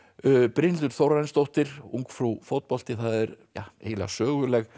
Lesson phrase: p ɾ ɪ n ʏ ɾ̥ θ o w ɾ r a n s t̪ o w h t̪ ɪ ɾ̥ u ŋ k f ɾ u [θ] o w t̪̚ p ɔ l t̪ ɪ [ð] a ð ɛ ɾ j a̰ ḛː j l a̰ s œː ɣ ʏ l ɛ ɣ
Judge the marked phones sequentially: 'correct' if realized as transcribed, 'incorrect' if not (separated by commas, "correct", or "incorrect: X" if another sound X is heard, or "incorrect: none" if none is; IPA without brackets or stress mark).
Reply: incorrect: f, incorrect: θ